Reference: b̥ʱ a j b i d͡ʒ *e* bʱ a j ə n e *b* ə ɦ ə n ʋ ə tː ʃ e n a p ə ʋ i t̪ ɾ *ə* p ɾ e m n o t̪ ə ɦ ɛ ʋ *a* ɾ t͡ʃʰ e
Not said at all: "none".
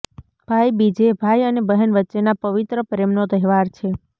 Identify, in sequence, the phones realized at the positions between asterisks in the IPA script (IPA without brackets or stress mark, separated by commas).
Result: e, b, ə, a